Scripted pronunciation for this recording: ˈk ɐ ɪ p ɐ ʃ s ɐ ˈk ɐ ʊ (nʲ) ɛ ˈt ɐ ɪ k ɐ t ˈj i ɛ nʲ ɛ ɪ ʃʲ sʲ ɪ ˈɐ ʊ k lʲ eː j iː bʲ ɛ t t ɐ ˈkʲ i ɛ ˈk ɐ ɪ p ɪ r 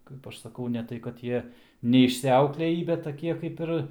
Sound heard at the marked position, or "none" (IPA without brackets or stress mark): nʲ